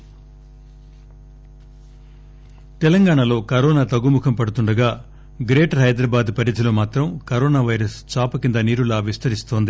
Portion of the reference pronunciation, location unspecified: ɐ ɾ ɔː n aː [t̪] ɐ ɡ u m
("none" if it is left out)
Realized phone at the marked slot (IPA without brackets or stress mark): t̪